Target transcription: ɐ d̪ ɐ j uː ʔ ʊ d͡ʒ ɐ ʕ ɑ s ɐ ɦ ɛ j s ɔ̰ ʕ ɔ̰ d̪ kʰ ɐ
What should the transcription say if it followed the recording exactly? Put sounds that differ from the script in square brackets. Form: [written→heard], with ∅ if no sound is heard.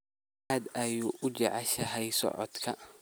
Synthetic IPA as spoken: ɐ d̪ ɐ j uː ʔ ʊ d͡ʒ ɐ ʕ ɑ [s→ʃ] ɐ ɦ ɛ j s ɔ̰ ʕ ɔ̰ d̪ kʰ ɐ